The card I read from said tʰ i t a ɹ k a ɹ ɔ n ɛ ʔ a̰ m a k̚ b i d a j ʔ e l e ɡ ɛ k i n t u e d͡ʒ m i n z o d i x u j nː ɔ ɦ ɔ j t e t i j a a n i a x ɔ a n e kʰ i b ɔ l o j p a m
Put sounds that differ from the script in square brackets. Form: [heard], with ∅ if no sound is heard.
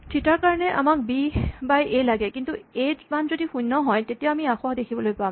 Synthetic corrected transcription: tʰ i t a ɹ k a ɹ ɔ n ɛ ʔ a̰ m a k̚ b i [b] a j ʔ e l [a] ɡ ɛ k i n t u e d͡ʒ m [a] n z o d i x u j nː ɔ ɦ ɔ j t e t i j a a [m] i a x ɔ a [d] e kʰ i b ɔ l o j p a m